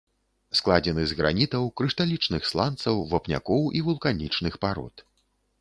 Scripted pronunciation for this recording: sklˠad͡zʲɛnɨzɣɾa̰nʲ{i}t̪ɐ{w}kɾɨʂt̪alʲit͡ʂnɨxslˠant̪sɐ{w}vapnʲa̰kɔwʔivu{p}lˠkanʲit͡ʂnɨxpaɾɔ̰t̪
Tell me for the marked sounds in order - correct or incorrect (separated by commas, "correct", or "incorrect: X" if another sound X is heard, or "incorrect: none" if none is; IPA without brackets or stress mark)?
correct, correct, correct, incorrect: none